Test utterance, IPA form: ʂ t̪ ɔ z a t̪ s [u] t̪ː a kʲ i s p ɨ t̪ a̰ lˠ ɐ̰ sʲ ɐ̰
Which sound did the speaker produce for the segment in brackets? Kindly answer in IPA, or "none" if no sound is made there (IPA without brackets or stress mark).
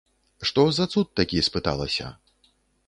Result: u